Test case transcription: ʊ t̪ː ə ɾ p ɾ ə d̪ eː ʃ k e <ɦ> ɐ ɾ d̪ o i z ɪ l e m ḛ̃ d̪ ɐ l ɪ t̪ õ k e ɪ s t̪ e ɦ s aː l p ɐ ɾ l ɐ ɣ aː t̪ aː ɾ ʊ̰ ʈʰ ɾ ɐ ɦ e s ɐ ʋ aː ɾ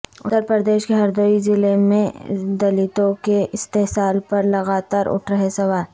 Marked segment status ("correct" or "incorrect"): correct